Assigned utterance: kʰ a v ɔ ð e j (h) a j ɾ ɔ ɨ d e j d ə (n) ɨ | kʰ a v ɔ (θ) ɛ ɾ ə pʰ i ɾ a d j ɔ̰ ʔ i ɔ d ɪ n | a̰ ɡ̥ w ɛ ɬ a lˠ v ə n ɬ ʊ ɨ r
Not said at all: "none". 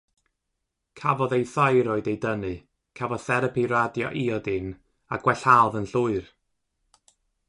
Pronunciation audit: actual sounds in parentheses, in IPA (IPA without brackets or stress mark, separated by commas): θ, n, θ